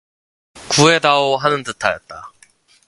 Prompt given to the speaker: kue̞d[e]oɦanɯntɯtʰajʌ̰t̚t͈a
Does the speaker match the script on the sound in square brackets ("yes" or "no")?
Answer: no